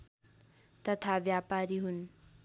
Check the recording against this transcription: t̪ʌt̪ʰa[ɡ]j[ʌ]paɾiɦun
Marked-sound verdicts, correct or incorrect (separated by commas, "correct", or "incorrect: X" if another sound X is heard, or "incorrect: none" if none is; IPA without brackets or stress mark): incorrect: b, incorrect: a